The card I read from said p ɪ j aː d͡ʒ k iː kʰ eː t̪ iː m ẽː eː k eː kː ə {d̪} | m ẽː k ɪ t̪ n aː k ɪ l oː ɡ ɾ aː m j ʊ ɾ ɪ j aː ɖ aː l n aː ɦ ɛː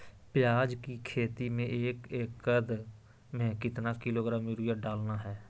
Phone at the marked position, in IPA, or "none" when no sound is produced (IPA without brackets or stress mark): d̪